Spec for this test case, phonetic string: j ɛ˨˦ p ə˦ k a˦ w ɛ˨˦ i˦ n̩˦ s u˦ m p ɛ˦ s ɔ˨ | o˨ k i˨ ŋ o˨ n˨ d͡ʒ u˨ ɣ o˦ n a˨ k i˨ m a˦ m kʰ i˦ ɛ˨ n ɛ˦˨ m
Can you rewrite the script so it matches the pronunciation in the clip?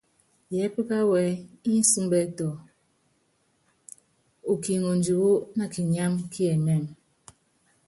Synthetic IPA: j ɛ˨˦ p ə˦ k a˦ w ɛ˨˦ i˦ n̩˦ s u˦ m b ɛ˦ t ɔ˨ | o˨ k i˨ ŋ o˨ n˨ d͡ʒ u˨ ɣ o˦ n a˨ k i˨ ɲ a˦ m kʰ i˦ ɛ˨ n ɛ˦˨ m

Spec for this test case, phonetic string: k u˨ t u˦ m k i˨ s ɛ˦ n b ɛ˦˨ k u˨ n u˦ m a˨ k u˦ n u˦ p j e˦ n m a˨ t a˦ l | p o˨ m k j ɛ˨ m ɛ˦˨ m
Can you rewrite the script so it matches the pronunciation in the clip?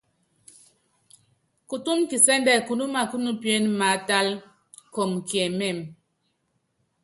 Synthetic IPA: k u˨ t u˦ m k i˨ s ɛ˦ n d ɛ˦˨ k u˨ n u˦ m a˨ k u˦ n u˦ p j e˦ n m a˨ t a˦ l | k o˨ m k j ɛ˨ m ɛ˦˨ m

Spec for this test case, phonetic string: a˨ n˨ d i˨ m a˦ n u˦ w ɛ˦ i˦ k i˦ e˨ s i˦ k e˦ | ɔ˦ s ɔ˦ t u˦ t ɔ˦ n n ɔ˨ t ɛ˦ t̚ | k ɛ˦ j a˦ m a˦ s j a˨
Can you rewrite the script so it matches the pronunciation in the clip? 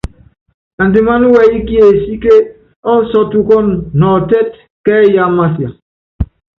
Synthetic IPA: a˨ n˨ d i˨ m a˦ n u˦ w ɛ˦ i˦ k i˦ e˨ s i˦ k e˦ | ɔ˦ s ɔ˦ t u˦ k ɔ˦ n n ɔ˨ t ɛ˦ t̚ | k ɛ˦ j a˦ m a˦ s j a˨

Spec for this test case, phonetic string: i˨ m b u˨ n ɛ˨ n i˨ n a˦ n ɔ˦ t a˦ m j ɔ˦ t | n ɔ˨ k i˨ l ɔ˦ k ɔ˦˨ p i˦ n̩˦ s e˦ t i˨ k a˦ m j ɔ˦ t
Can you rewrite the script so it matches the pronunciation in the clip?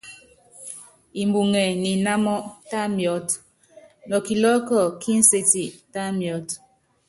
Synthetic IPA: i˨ m b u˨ ŋ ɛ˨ n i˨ n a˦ m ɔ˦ t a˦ m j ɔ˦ t | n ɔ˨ k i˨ l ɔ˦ k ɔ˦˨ k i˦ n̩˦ s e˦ t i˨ t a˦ m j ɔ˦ t

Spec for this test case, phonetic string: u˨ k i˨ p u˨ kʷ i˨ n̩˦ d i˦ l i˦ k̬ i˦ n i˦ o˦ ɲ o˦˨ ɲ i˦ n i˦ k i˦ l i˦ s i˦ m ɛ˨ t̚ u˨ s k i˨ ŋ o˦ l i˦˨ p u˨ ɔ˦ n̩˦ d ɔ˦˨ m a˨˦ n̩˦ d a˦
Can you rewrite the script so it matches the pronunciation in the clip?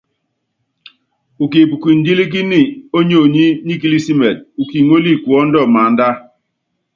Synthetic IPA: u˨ k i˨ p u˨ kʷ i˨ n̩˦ d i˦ l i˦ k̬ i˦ n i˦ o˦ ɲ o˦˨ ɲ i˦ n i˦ k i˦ l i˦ s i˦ m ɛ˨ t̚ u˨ k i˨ ŋ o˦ l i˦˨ k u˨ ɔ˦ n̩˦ d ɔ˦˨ m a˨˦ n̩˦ d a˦

